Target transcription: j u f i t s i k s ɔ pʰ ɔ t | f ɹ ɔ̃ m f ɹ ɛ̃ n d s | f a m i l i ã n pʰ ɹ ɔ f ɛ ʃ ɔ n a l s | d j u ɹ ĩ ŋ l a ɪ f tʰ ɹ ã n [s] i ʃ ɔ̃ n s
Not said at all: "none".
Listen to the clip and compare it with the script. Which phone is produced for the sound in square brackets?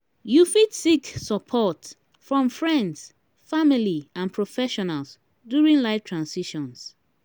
s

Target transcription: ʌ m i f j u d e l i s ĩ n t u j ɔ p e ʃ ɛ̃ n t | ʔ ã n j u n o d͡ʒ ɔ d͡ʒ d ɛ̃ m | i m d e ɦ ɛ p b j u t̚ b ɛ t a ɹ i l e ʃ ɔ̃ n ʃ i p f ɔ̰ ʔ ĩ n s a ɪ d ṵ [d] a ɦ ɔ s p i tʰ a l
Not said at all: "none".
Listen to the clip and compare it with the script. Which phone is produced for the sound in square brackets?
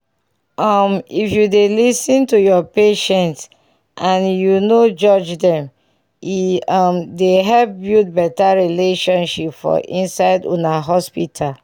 n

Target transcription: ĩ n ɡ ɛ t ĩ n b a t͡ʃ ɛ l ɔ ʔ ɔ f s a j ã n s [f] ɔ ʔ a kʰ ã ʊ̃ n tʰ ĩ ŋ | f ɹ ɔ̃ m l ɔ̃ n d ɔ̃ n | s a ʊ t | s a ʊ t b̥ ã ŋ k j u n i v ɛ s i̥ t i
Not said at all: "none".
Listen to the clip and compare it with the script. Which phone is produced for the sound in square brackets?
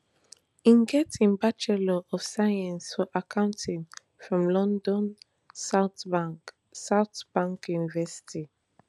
f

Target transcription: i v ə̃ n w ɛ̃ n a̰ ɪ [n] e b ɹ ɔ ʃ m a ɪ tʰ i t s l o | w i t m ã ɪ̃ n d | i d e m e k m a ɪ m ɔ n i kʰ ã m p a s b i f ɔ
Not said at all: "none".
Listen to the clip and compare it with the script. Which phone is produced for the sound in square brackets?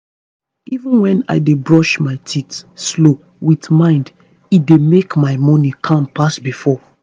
d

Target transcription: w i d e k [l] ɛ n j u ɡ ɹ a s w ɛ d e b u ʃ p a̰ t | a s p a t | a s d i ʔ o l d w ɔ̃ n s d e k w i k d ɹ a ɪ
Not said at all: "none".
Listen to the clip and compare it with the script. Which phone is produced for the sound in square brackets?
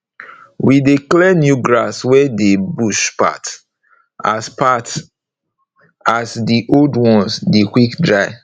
l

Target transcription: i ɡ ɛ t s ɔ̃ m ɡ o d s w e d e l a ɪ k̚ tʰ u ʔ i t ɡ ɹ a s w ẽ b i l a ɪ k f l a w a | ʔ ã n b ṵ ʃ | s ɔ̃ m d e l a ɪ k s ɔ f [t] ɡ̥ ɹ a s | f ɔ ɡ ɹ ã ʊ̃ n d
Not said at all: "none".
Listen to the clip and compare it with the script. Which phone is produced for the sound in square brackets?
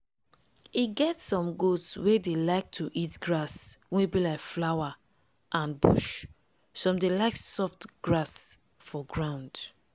t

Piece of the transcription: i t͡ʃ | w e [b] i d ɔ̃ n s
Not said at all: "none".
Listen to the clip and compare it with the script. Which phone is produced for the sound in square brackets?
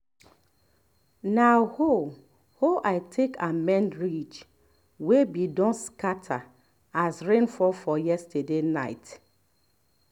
b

